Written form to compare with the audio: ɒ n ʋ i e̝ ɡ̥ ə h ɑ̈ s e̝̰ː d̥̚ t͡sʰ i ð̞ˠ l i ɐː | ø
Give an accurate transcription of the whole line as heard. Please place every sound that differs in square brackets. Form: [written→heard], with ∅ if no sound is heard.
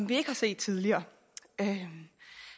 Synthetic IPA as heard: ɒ [n→m] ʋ i e̝ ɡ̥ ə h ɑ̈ s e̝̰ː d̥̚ t͡sʰ i ð̞ˠ l i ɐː | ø